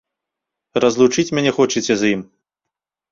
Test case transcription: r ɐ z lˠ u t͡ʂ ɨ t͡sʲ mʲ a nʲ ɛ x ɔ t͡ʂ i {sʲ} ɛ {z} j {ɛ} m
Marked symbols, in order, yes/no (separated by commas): no, yes, no